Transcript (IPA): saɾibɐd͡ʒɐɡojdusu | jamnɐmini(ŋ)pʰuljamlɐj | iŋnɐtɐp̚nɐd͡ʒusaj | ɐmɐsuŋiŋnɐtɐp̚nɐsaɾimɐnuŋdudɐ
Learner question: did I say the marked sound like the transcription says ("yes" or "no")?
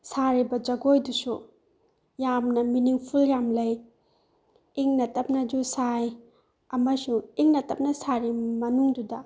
yes